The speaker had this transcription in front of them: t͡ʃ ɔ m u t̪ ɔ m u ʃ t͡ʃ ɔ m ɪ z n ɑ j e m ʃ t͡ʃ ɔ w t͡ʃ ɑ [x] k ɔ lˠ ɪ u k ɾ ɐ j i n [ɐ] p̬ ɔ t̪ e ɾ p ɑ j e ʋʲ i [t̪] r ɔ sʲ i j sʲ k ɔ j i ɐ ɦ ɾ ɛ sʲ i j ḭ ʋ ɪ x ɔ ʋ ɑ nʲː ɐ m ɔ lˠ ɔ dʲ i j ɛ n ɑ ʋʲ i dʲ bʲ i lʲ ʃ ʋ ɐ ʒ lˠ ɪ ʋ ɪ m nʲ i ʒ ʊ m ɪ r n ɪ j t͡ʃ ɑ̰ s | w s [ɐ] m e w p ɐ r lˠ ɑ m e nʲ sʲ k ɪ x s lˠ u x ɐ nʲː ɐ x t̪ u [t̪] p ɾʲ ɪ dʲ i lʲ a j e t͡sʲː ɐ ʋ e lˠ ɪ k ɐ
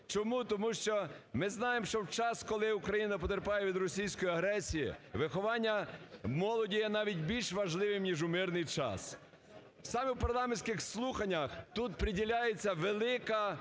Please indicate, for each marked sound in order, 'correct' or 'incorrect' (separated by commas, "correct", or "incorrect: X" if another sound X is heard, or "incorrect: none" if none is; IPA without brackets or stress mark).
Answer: incorrect: s, correct, incorrect: d̪, incorrect: ɑ, correct